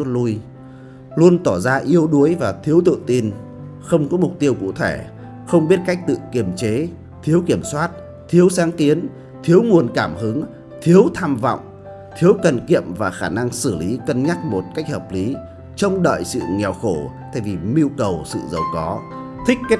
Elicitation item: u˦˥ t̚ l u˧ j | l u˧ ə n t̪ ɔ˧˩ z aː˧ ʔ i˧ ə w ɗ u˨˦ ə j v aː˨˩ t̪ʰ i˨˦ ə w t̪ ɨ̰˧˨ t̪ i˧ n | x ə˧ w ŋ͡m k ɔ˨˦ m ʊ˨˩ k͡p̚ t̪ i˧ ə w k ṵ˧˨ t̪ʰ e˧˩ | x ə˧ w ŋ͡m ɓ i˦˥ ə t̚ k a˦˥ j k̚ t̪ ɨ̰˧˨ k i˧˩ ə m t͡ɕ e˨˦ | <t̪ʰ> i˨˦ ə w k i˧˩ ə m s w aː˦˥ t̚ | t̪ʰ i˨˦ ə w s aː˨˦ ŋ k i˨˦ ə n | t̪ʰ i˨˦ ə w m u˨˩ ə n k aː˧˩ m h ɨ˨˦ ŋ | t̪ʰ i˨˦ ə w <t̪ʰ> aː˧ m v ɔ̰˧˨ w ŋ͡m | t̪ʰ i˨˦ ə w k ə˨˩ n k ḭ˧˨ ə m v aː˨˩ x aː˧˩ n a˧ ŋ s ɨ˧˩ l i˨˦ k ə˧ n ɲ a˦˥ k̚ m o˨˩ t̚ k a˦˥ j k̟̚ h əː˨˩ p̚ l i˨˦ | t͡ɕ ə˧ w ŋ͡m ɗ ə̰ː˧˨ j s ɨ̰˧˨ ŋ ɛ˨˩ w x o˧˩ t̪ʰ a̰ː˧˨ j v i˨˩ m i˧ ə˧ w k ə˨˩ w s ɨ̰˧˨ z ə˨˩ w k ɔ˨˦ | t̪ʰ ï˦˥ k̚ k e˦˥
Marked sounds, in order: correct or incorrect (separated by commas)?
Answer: correct, correct